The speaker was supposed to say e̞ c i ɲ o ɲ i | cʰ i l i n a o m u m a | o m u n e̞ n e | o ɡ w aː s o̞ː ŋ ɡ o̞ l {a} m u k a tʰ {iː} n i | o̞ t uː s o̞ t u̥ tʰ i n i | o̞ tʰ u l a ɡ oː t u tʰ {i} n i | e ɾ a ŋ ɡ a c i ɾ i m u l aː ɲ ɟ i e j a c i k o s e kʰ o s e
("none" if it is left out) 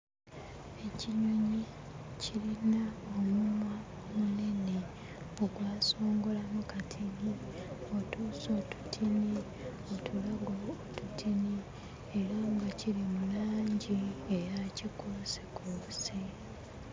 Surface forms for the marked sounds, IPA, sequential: a, i, i

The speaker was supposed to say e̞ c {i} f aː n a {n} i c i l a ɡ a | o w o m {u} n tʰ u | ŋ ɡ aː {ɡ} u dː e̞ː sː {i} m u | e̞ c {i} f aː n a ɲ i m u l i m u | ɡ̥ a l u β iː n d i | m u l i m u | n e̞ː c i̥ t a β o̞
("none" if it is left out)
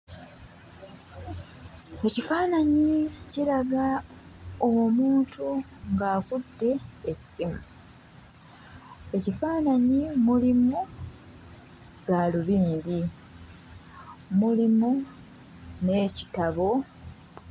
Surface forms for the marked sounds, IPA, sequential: i, ɲ, uː, k, i, i

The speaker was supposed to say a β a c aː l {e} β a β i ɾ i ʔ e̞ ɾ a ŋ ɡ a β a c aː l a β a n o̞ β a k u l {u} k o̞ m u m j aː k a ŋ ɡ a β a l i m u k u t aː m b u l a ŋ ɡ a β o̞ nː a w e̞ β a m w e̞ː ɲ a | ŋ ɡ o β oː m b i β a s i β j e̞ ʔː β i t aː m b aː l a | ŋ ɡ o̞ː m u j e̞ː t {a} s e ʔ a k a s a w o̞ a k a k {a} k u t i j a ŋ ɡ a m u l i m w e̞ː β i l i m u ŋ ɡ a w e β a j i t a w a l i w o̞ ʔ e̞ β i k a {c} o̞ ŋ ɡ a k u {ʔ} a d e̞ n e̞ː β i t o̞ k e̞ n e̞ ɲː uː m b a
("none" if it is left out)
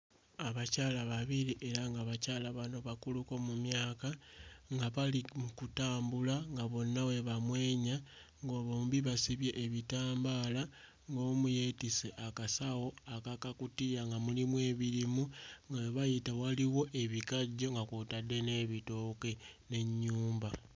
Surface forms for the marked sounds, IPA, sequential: a, u, i, a, ɟ, t

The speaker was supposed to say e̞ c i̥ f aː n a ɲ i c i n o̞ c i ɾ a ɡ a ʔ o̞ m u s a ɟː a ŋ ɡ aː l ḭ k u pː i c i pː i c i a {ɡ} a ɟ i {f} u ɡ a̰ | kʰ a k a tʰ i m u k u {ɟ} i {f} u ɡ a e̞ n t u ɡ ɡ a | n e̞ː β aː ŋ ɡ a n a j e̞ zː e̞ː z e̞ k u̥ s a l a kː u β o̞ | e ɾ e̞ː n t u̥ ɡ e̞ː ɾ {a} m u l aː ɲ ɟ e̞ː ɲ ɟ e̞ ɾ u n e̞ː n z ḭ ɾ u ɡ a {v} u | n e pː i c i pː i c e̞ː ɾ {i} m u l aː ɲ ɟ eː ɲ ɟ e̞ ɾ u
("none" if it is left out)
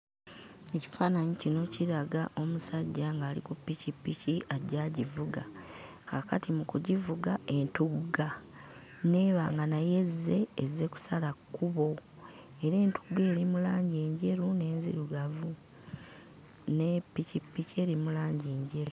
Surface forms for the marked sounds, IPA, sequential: ɟ, v, ɟ, v, i, v, i

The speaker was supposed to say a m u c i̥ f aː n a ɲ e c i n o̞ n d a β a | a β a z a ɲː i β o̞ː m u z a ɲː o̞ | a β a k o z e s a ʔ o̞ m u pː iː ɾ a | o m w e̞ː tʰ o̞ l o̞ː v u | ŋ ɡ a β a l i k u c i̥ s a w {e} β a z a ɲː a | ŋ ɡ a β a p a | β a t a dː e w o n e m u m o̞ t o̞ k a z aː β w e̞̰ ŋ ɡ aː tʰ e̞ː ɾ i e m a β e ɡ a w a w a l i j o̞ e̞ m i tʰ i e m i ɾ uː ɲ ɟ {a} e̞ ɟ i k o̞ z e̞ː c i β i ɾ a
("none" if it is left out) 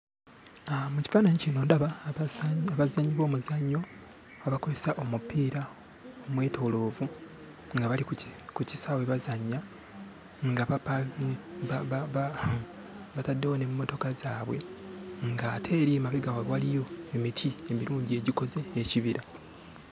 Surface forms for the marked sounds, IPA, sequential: e, i

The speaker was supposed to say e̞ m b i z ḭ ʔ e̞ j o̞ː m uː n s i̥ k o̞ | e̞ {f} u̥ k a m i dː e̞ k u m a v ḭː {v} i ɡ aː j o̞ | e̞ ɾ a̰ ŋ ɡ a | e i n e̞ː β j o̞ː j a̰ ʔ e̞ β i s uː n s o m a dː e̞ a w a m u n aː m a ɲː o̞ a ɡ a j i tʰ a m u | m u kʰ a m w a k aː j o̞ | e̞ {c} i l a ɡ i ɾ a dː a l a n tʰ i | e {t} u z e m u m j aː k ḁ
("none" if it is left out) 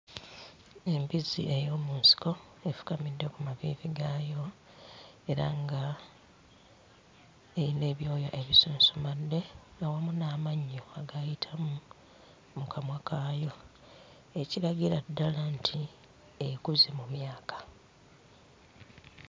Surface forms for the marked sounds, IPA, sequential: f, v, c, k

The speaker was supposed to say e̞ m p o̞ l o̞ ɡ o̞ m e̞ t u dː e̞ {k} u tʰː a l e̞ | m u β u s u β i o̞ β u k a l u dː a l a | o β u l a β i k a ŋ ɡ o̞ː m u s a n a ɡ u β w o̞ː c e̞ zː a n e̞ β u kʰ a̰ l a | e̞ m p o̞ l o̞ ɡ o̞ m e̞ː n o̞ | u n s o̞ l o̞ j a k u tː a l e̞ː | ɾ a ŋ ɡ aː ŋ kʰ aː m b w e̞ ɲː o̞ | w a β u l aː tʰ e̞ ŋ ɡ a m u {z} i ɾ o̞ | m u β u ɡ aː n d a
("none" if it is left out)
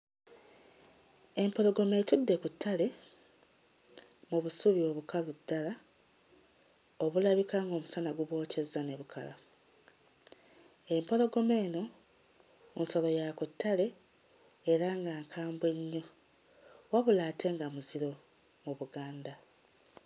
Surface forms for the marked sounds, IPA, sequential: k, z

